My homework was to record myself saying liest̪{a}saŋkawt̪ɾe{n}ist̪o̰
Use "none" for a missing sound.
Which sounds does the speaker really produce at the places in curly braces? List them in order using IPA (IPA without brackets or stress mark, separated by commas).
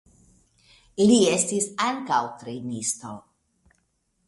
i, n